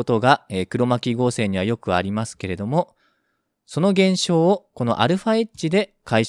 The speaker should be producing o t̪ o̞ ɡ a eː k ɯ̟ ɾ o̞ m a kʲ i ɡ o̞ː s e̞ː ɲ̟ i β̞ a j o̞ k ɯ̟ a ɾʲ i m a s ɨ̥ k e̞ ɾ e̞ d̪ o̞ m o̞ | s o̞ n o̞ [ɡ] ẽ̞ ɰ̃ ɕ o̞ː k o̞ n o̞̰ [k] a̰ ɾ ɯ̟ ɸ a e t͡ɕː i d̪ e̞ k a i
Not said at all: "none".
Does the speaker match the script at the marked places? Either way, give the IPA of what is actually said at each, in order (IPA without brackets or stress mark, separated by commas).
ɡ, ʔ